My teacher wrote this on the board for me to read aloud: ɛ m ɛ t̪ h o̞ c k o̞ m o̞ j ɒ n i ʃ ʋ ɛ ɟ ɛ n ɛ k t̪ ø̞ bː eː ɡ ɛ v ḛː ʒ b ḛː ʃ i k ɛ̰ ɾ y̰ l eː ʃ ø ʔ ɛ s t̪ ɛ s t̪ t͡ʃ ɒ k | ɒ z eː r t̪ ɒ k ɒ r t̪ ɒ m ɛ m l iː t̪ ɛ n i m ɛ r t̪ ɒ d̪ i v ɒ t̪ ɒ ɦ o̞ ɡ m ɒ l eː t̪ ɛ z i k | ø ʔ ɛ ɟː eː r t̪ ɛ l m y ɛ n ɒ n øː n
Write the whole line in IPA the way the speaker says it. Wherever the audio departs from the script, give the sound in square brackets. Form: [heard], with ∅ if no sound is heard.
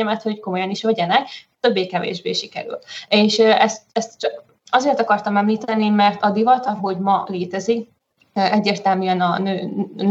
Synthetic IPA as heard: ɛ m ɛ t̪ h o̞ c k o̞ m o̞ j ɒ n i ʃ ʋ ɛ ɟ ɛ n ɛ k t̪ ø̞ bː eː [k] ɛ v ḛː ʒ b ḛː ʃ i k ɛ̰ ɾ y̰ l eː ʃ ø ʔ ɛ s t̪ ɛ s t̪ t͡ʃ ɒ k | ɒ z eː r t̪ ɒ k ɒ r t̪ ɒ m ɛ m l iː t̪ ɛ n i m ɛ r t̪ ɒ d̪ i v ɒ t̪ ɒ ɦ o̞ [ɟ] m ɒ l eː t̪ ɛ z i k | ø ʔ ɛ ɟː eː r t̪ ɛ l m y ɛ n ɒ n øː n